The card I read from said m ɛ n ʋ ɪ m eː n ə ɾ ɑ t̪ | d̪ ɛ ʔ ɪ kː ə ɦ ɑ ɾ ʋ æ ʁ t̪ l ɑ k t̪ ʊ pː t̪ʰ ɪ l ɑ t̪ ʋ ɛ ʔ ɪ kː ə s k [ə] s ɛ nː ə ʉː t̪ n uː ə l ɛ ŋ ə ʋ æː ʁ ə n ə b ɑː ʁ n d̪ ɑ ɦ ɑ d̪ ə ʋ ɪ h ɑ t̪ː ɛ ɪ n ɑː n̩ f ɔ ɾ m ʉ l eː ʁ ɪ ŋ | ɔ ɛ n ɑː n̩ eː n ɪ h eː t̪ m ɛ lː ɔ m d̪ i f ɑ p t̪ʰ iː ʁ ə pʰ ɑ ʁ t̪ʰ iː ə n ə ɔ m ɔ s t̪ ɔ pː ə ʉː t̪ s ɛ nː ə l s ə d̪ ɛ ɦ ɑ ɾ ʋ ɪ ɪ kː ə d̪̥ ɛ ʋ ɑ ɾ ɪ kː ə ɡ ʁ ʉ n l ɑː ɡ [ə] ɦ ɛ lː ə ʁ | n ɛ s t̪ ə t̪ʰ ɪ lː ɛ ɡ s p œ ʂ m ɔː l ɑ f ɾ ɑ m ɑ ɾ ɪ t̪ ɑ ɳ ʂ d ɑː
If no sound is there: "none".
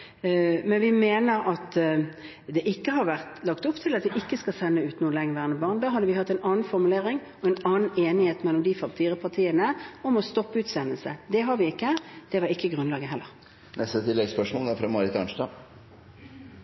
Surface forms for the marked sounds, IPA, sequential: ɑ, ə

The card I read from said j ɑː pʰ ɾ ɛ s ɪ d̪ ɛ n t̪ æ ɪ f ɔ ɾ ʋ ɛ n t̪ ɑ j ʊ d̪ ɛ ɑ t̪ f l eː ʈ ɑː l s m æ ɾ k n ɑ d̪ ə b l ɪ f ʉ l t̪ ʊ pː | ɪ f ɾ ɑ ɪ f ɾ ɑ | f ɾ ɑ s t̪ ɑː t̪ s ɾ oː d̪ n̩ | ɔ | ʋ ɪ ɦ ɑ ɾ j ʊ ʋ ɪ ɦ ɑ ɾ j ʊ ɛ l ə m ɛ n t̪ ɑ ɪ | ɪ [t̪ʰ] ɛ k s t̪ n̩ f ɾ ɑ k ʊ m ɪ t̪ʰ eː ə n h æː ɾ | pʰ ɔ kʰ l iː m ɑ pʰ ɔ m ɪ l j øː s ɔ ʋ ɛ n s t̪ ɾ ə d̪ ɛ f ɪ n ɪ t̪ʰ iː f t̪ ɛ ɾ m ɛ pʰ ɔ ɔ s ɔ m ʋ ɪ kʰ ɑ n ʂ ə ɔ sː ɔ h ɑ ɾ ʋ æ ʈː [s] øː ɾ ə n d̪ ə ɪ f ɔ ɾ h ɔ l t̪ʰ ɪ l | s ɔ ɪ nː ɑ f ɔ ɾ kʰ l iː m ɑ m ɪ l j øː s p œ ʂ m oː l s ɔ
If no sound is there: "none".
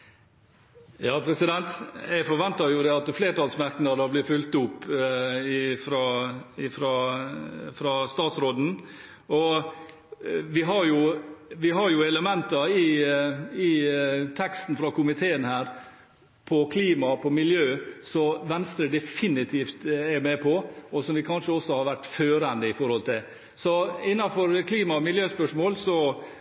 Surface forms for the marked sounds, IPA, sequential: t̪ʰ, f

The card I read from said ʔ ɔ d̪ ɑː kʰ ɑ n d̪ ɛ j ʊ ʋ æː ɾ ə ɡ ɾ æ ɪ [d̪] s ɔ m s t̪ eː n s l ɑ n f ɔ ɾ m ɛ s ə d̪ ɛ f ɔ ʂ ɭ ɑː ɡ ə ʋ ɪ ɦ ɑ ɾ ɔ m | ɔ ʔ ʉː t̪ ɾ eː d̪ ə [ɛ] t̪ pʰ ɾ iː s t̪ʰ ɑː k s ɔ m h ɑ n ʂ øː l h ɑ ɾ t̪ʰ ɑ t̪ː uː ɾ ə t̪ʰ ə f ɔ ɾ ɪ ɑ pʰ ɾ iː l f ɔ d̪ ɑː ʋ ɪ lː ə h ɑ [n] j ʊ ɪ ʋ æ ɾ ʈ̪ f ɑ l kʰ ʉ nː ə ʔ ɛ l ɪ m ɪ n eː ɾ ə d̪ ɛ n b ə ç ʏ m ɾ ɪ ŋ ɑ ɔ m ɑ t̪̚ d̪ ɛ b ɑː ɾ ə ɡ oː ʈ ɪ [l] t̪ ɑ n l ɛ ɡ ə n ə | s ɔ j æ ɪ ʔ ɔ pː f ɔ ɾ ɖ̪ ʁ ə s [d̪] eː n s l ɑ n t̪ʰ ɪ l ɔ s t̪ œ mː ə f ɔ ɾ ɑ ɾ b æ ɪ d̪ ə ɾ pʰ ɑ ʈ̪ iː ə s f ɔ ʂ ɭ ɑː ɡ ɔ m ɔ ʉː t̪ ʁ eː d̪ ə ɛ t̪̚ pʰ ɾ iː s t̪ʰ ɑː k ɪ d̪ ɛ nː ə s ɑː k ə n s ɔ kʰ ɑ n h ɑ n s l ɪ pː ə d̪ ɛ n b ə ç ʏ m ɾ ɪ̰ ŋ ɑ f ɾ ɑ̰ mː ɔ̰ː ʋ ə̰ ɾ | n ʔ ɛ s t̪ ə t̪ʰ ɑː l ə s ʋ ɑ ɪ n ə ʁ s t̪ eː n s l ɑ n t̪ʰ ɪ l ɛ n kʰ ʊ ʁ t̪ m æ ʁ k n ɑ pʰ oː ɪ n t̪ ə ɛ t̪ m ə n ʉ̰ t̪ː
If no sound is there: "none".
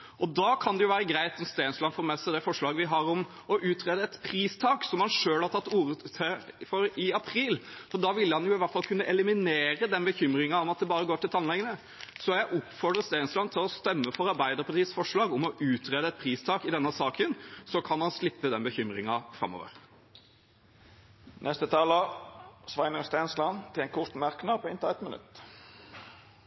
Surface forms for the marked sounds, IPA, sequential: t̪, ɛ, n, l, t̪

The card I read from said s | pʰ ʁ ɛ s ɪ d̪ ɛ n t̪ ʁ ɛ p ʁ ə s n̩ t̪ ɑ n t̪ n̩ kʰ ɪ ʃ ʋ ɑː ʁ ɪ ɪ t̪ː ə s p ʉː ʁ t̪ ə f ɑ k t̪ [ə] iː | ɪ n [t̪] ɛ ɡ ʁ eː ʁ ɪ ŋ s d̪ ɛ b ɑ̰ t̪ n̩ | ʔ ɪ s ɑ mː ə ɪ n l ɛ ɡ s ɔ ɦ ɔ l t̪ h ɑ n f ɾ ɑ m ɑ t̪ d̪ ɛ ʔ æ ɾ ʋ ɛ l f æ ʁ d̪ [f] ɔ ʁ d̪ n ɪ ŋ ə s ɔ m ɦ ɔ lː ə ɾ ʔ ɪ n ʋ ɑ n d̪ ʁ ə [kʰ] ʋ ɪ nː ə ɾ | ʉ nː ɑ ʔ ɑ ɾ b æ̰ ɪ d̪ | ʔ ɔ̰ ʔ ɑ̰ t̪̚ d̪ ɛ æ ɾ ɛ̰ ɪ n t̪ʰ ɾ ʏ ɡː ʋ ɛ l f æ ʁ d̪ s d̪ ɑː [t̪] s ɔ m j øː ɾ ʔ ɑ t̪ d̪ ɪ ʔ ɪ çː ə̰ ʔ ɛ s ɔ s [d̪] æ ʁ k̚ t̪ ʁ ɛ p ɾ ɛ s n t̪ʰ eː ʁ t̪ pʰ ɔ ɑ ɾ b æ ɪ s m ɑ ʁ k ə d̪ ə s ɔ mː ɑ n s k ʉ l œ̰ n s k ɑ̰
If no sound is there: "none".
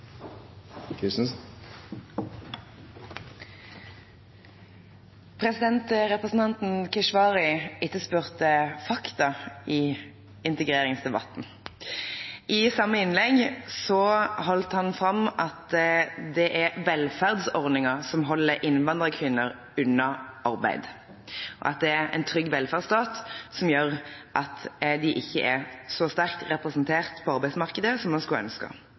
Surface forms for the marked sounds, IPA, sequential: ɑ, t̪, s, kʰ, t̪, t̪

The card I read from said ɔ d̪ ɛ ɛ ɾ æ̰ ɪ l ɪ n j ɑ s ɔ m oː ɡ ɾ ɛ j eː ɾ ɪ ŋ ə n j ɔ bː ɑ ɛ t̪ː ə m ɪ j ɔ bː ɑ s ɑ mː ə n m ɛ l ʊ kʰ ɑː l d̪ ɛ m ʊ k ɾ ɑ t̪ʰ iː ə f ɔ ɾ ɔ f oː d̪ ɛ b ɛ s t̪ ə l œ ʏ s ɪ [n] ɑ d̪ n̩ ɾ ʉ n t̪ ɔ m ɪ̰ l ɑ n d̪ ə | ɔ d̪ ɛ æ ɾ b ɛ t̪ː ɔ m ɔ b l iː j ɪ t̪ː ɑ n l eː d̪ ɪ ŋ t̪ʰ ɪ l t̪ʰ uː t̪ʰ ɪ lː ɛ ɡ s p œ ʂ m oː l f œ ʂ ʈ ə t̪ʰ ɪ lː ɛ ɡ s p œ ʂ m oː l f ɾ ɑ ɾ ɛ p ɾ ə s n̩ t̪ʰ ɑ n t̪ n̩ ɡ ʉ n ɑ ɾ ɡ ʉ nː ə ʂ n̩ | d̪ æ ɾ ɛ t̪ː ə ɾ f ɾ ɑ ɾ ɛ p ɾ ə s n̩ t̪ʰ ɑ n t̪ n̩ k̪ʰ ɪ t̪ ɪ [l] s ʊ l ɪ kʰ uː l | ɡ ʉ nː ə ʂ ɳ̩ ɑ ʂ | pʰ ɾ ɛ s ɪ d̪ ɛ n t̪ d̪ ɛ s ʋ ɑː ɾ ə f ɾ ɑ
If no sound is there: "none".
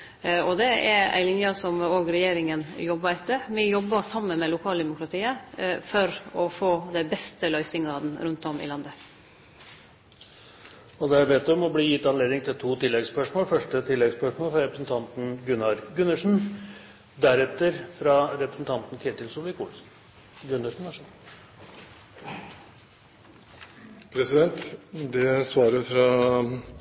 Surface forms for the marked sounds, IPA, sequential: ŋ, l

